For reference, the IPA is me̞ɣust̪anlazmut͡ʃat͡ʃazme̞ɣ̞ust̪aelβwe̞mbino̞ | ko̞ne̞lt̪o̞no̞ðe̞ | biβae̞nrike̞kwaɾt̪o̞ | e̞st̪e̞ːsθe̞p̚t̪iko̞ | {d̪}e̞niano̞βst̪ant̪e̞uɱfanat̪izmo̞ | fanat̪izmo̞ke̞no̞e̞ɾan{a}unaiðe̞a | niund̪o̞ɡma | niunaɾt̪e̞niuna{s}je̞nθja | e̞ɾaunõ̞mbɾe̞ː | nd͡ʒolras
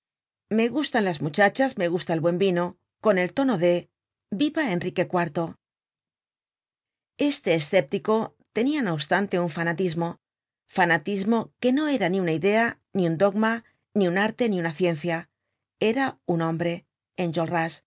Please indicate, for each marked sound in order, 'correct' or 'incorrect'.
incorrect: t̪, incorrect: i, incorrect: θ

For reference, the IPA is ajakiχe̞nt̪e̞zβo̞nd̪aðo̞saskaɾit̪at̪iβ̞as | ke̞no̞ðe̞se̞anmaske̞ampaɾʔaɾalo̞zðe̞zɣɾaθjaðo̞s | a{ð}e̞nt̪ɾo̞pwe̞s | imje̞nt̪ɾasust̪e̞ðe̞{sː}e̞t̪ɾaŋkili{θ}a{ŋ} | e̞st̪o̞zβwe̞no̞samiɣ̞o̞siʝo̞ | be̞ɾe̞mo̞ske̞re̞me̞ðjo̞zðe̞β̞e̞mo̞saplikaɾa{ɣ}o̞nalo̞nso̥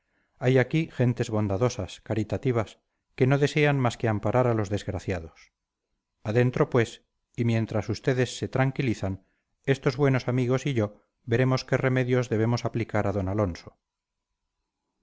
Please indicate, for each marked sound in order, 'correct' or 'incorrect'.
correct, correct, correct, incorrect: n, incorrect: ð

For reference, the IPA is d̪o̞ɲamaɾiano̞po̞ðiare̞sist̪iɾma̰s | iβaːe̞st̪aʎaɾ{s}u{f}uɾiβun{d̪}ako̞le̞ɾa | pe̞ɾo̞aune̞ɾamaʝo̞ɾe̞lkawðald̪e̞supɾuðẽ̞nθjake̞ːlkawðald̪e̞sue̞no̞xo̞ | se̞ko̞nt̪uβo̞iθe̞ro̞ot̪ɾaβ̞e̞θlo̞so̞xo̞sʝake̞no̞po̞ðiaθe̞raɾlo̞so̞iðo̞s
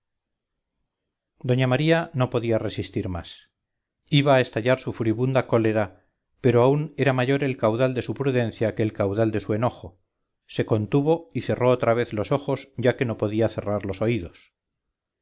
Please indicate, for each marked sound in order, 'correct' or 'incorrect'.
correct, correct, correct

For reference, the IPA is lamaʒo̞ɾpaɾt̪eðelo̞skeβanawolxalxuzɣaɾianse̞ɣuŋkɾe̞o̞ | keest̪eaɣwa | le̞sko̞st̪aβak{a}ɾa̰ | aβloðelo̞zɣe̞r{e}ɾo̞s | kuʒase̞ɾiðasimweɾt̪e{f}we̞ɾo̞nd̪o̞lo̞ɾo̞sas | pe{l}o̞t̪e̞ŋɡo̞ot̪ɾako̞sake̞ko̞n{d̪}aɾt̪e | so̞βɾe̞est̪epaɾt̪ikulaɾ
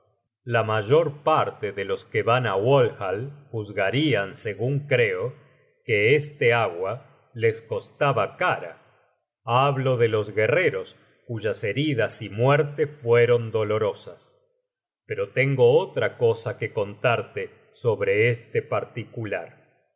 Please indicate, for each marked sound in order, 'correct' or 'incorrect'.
correct, correct, correct, incorrect: ɾ, incorrect: t̪

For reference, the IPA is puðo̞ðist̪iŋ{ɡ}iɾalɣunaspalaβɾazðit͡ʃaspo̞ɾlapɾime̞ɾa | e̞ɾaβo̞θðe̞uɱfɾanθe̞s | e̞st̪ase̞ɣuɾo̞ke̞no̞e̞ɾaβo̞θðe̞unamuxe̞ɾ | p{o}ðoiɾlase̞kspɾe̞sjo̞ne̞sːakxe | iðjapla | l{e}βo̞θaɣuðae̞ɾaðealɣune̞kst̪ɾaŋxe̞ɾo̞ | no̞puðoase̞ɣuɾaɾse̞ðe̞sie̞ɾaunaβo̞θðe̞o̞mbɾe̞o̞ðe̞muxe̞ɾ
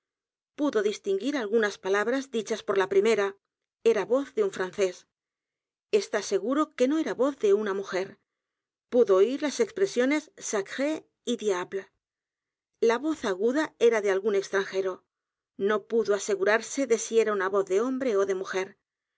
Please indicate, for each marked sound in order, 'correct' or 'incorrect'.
correct, incorrect: u, incorrect: a

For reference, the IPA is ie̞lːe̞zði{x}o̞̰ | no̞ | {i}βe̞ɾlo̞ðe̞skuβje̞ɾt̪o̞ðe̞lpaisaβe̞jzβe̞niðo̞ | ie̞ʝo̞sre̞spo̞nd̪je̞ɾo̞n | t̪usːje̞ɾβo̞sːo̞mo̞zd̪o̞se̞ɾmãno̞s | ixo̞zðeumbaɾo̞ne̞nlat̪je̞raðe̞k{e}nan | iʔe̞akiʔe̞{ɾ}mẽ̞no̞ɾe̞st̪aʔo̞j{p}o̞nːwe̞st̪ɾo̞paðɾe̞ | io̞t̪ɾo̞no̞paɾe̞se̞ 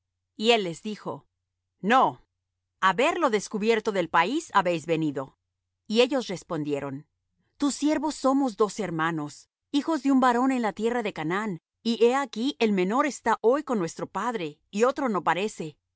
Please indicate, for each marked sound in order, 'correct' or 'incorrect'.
correct, incorrect: a, incorrect: a, incorrect: l, incorrect: k

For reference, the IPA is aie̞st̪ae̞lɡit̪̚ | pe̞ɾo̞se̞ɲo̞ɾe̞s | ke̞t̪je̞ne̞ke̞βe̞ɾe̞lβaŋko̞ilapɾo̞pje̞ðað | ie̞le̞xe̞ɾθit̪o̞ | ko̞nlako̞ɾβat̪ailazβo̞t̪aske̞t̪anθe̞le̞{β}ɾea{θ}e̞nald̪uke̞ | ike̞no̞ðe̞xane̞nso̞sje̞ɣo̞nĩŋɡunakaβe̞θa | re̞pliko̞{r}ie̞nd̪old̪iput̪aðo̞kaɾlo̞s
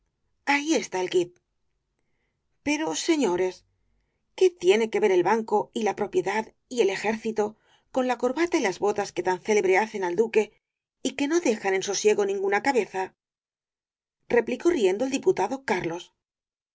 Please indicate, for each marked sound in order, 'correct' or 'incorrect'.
correct, correct, correct

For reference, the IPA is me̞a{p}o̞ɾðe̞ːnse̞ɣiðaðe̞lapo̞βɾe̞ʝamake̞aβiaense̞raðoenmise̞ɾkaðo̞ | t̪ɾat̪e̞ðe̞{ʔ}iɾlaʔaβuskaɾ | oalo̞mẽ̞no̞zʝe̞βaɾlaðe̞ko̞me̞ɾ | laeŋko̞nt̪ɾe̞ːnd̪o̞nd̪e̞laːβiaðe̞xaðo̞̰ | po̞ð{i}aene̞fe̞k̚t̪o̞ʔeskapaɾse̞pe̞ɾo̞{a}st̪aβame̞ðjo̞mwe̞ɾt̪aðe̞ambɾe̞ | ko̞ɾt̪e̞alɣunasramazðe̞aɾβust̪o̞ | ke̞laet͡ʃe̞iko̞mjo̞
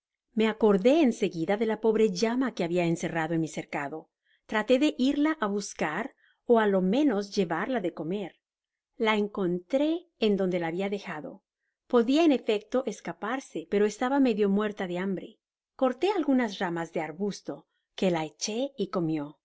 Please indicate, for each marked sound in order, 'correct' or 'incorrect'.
incorrect: k, correct, correct, incorrect: e

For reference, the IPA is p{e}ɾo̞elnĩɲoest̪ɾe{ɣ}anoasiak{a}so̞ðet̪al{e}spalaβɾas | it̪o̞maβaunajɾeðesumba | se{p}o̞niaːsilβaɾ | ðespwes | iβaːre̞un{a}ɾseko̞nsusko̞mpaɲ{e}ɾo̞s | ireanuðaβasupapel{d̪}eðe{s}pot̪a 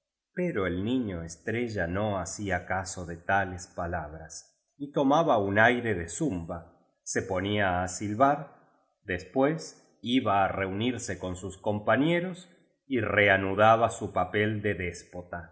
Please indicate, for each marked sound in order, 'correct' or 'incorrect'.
correct, incorrect: ʒ, correct, correct, correct, incorrect: i, correct, correct, correct

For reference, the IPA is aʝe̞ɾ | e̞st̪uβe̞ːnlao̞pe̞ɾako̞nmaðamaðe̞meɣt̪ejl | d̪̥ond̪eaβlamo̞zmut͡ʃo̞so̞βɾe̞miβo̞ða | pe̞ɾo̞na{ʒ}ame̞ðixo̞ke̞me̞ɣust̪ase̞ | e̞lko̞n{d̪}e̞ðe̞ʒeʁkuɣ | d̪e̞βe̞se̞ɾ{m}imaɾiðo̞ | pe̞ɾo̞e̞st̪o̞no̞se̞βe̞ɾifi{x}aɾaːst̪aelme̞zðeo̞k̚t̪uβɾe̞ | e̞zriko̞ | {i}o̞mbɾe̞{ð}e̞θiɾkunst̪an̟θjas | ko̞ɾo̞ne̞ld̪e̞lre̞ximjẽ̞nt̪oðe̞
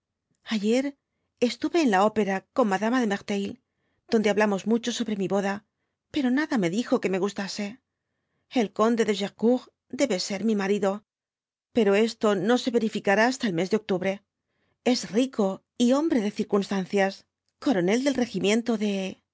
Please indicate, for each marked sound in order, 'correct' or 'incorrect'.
incorrect: ð, correct, correct, incorrect: k, correct, correct

